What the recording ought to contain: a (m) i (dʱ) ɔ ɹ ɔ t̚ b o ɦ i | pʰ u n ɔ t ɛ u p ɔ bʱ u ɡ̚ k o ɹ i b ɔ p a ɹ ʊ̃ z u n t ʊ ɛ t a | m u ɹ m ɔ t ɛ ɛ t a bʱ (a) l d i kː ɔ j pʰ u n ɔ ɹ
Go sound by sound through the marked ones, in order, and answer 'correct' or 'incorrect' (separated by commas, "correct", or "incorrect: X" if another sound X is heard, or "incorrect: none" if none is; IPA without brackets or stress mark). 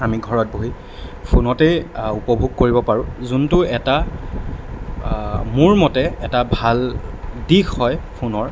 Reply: correct, incorrect: ɡʱ, correct